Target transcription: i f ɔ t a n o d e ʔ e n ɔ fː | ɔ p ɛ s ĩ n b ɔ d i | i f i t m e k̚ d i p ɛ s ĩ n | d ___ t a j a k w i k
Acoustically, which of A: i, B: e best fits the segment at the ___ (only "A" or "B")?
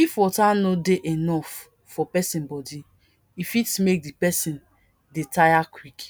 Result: B